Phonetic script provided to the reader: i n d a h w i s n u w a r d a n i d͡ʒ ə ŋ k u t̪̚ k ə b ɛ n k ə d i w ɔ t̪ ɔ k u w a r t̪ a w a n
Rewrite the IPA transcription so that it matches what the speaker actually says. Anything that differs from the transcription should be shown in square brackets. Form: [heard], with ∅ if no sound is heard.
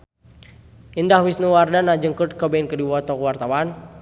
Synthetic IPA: i n d a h w i s n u w a r d a n [a] d͡ʒ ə ŋ k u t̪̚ k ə b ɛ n k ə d i w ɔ t̪ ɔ k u w a r t̪ a w a n